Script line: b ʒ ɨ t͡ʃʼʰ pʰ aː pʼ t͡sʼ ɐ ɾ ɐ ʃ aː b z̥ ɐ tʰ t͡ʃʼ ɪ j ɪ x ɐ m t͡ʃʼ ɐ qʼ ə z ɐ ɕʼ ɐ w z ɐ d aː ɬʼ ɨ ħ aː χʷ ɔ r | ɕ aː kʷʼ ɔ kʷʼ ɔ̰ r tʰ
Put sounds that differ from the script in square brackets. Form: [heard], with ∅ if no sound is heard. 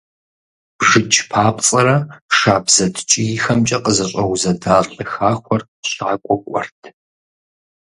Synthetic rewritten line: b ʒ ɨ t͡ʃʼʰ pʰ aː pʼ t͡sʼ ɐ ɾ ɐ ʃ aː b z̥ ɐ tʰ t͡ʃʼ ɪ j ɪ x ɐ m t͡ʃʼ ɐ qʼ ə z ɐ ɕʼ ɐ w z ɐ d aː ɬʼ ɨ [x] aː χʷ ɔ r | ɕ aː kʷʼ ɔ kʷʼ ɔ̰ r tʰ